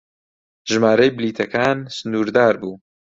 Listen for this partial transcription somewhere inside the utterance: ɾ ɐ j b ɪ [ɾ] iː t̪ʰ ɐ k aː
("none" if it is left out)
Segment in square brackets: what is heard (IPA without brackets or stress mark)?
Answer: l